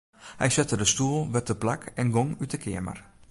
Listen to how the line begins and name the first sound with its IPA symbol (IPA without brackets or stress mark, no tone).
h